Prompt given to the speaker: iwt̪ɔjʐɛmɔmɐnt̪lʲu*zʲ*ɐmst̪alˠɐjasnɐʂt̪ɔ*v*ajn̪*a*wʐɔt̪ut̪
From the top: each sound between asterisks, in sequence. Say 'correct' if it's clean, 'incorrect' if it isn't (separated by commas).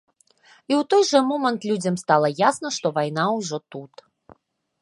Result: incorrect, correct, correct